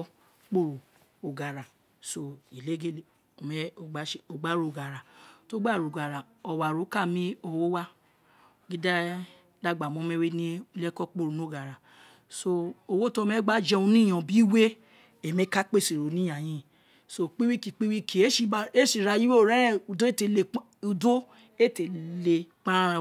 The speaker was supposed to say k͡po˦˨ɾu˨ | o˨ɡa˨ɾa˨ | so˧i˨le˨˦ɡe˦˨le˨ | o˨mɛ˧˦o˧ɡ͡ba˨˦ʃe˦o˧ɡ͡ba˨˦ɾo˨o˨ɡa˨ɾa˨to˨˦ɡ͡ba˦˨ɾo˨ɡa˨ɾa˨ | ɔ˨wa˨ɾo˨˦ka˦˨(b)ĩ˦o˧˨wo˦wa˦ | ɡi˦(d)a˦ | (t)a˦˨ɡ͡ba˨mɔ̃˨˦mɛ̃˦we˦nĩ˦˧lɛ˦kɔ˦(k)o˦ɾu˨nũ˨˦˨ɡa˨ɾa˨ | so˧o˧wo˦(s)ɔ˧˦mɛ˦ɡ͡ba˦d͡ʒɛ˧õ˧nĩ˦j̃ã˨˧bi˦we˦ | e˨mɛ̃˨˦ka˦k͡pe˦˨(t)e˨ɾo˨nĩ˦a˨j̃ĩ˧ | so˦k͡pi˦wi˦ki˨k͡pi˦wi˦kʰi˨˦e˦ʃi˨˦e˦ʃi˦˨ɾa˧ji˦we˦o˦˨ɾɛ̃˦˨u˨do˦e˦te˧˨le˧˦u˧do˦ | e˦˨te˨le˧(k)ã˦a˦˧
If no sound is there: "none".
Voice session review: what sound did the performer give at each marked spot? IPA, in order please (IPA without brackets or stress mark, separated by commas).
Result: m, d, d, k͡p, t, s, k͡p